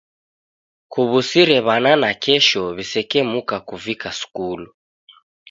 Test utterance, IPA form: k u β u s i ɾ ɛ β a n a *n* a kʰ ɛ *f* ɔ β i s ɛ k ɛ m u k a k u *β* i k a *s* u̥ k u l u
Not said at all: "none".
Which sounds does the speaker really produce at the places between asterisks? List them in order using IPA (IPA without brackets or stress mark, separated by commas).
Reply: n, ʃ, v, s